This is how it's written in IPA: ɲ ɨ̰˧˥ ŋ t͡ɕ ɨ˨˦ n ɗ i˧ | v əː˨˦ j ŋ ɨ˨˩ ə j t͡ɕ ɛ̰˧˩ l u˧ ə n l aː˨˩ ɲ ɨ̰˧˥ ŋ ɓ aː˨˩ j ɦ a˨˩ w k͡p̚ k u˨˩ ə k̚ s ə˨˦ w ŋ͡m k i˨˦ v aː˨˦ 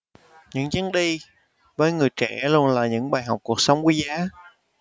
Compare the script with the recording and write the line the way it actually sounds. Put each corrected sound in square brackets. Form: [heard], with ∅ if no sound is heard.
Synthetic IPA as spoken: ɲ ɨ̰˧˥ ŋ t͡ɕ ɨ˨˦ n ɗ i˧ | v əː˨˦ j ŋ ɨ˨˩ ə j t͡ɕ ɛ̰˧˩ l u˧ ə n l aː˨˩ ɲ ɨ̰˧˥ ŋ ɓ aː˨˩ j ɦ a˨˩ w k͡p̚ k u˨˩ ə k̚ s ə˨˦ w ŋ͡m k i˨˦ [z] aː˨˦